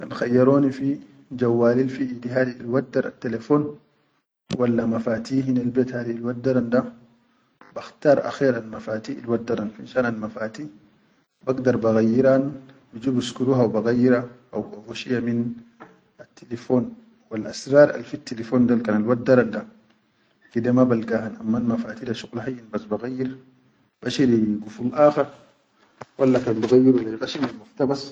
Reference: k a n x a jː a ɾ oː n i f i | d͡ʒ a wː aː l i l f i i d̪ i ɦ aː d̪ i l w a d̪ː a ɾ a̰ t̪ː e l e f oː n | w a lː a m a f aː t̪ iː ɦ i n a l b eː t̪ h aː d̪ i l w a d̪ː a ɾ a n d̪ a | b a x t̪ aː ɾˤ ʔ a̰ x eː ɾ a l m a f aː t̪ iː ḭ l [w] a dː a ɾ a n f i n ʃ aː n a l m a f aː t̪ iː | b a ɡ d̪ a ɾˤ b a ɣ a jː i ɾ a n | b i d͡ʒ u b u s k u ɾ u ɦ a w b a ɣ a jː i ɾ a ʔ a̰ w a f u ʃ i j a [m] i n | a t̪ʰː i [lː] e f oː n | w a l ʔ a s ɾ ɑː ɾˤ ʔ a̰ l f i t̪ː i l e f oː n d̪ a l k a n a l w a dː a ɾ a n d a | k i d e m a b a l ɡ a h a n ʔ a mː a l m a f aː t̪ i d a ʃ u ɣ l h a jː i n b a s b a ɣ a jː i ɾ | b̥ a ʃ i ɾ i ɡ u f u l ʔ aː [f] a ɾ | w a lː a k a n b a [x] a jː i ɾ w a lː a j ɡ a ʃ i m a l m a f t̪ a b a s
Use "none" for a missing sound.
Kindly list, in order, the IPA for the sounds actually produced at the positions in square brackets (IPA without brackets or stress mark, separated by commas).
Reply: w, m, l, x, ɣ